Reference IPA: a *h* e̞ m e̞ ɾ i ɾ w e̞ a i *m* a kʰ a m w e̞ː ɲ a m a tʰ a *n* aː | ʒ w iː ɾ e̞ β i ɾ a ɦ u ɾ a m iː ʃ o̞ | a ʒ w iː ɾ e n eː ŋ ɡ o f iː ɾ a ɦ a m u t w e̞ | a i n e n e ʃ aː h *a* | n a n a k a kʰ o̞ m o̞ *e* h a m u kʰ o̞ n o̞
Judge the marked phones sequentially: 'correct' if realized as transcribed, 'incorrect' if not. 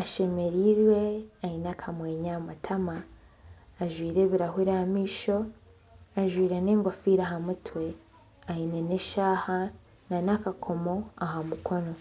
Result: incorrect, incorrect, incorrect, correct, incorrect

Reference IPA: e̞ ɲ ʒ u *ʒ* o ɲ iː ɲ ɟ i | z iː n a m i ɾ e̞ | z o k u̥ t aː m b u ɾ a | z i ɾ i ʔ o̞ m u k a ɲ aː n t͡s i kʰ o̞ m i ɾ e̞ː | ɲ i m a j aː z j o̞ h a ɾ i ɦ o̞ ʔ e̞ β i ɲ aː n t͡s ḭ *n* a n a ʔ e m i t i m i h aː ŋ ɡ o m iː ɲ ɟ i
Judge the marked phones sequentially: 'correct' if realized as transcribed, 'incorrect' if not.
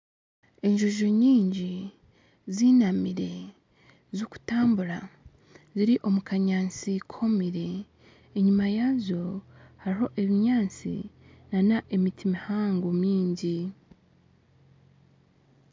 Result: correct, correct

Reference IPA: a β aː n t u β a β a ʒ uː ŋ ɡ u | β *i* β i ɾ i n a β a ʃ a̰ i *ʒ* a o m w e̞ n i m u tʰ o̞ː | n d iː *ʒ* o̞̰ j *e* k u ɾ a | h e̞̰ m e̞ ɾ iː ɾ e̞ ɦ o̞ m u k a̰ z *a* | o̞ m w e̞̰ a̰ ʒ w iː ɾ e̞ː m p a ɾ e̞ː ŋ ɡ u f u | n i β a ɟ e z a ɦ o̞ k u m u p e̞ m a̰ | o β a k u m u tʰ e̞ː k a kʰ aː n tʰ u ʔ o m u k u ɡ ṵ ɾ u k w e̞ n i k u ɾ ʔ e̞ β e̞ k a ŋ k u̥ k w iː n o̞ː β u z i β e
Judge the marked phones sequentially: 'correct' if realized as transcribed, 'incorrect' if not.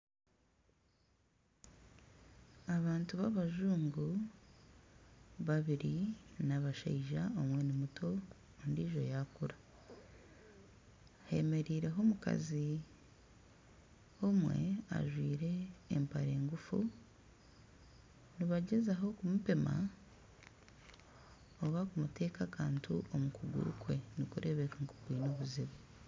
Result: incorrect, correct, correct, incorrect, incorrect

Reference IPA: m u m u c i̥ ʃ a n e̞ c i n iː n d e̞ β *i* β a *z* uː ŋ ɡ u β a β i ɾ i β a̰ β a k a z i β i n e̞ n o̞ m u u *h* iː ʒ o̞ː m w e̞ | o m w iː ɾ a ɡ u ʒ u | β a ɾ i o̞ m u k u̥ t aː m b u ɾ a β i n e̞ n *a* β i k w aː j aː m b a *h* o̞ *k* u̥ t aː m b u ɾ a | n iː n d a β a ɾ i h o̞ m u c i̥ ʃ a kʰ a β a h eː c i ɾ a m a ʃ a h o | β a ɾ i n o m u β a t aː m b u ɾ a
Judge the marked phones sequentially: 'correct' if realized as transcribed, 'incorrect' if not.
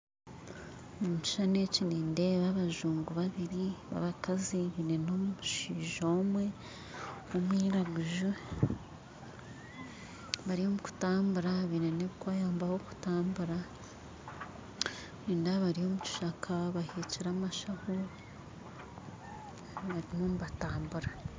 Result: incorrect, incorrect, incorrect, incorrect, correct, correct

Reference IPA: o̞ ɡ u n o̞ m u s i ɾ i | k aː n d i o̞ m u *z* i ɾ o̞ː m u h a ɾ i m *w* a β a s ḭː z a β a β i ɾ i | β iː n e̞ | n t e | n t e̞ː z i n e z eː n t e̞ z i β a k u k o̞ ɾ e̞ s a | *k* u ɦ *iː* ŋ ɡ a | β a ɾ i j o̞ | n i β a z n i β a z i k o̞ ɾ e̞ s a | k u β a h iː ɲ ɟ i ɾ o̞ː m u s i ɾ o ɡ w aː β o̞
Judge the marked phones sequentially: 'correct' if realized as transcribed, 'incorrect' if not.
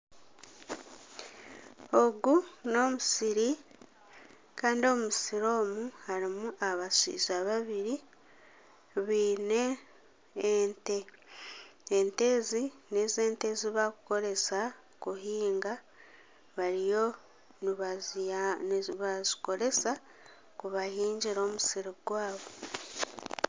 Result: incorrect, incorrect, correct, correct

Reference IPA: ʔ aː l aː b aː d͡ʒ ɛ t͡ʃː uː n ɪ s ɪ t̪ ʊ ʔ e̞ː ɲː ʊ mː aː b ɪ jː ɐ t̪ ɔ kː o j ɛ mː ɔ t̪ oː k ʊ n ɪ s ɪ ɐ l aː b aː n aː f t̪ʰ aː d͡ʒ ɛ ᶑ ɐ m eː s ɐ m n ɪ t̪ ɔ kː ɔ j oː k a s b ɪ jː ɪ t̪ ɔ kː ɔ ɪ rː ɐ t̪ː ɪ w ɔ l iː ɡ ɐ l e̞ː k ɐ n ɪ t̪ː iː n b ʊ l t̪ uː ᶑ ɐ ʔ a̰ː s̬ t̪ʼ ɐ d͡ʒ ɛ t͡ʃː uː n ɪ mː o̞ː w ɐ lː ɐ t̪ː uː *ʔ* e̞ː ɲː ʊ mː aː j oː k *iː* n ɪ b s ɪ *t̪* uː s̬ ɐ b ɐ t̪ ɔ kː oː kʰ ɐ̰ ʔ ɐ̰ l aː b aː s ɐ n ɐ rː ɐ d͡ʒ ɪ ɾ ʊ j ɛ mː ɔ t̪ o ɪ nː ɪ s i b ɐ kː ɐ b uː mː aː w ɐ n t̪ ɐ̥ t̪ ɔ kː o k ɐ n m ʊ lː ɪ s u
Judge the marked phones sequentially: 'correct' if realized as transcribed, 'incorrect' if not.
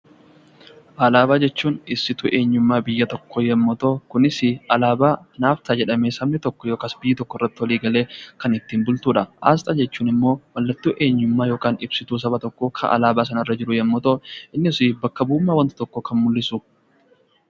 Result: correct, incorrect, correct

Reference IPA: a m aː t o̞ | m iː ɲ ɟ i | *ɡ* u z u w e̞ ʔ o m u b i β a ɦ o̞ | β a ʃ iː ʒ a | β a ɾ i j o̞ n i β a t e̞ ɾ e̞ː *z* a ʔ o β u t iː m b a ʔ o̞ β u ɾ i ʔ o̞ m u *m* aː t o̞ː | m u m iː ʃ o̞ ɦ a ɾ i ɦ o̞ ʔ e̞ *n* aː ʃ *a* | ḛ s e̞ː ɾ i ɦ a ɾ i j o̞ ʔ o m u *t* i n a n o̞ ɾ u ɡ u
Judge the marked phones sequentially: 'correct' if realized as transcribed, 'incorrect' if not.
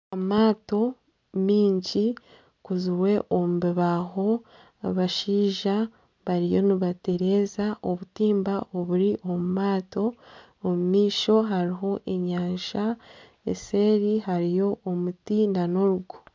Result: incorrect, correct, correct, incorrect, correct, correct

